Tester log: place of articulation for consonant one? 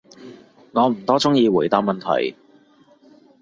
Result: velar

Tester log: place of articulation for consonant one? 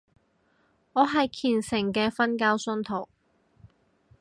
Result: glottal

